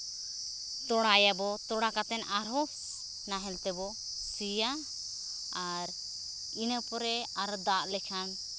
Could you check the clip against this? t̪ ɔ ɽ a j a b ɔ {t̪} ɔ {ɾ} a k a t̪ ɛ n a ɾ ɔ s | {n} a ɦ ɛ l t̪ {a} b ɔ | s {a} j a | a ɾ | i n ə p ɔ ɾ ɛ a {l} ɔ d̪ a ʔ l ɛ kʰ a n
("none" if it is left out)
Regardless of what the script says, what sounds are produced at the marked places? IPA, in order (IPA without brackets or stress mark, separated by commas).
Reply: t̪, ɽ, n, ɛ, i, ɾ